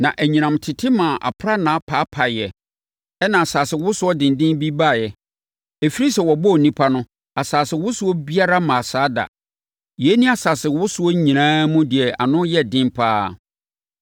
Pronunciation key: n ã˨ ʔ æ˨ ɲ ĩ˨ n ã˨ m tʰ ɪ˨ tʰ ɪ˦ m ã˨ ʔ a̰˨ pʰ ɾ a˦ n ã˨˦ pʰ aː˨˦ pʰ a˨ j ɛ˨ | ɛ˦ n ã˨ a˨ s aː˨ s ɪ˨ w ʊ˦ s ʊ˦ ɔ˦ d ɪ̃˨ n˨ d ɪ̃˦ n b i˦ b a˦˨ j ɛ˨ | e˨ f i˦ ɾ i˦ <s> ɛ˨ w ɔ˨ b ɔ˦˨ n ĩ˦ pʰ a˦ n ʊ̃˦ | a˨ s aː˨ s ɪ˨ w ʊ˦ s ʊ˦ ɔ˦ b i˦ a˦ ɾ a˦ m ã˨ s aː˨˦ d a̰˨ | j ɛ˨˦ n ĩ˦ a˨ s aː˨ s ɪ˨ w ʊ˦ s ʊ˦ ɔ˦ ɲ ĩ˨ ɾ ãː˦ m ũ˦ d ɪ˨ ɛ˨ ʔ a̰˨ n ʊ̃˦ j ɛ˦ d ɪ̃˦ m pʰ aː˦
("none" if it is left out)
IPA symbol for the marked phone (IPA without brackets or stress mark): s